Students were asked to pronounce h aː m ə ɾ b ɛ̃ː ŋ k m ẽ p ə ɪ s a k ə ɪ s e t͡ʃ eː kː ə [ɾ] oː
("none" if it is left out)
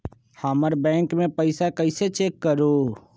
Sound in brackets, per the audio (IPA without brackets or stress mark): ɾ